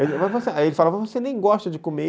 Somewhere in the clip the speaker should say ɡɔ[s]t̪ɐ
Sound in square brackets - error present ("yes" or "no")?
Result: yes